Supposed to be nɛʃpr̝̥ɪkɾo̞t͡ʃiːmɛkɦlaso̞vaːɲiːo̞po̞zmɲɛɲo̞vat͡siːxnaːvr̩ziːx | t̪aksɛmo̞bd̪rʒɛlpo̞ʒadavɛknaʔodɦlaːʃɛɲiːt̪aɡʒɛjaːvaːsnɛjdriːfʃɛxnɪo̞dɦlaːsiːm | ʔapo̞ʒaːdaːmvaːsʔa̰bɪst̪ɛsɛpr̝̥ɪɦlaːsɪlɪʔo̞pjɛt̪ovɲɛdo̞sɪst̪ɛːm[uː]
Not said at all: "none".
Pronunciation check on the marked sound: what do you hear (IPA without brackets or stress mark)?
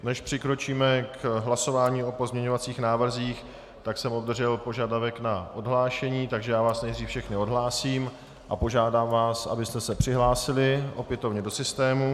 u